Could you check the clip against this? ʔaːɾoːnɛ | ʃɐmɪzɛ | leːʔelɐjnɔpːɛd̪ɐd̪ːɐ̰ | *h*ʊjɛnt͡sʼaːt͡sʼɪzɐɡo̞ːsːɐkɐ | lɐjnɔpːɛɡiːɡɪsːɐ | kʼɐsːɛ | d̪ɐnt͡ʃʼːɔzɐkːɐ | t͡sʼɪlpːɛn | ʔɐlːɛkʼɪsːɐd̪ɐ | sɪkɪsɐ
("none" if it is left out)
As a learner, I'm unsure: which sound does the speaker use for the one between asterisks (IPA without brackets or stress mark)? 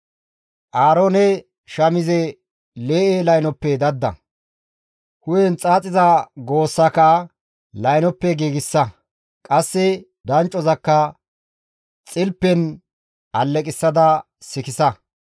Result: h